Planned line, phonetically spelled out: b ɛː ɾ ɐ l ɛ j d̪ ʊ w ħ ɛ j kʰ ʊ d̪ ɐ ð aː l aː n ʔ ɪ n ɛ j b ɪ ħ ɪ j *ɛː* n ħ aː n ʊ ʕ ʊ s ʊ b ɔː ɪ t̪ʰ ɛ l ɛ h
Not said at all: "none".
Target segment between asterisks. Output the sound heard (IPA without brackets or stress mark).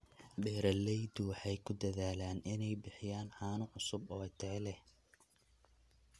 aː